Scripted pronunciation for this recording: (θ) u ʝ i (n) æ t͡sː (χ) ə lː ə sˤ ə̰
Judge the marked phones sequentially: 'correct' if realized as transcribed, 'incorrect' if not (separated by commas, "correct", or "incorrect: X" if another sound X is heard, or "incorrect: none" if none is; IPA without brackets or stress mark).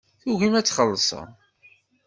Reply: correct, incorrect: m, correct